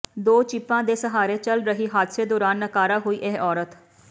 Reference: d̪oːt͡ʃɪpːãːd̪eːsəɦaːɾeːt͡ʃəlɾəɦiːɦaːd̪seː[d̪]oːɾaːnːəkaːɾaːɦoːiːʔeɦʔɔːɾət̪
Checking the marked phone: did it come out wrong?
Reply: no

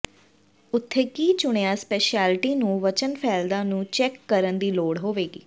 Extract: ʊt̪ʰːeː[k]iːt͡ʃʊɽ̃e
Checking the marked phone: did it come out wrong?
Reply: no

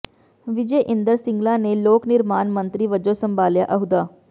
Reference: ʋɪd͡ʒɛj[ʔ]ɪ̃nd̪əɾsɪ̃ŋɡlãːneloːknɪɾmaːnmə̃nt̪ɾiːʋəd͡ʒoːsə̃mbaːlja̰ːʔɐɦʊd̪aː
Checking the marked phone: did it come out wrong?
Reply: no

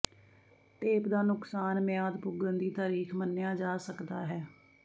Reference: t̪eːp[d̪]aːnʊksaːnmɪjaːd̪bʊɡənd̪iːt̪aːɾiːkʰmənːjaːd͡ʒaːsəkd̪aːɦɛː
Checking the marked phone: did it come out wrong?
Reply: no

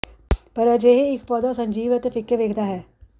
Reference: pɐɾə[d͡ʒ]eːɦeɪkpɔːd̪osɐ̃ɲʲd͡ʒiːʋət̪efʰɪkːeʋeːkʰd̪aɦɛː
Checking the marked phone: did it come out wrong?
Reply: no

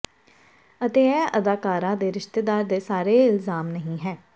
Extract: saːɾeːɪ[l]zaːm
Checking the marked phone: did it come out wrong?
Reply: no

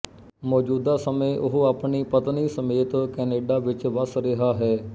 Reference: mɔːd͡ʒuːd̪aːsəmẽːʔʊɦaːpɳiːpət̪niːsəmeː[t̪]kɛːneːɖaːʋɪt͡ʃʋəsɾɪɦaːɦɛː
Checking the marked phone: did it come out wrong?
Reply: no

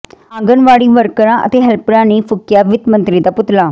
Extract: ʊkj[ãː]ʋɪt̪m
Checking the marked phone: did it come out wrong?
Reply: yes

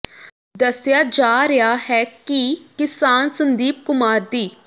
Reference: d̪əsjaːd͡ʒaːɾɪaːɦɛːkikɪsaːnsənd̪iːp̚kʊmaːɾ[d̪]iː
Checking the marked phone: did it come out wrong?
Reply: no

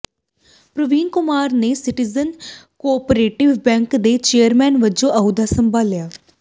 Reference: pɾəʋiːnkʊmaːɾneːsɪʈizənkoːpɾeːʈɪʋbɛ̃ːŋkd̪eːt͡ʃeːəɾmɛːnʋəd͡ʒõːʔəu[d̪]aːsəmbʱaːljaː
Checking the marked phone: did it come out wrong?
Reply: no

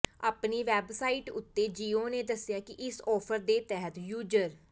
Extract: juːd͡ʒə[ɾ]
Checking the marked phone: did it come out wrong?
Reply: no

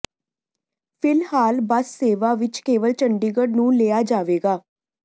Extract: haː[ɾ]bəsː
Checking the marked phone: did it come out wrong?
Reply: yes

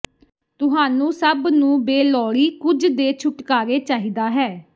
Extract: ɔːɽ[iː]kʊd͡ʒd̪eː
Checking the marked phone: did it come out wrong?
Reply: no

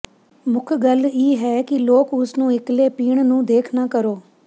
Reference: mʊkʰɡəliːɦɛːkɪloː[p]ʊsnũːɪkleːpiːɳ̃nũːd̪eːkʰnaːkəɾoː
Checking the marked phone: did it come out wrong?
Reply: yes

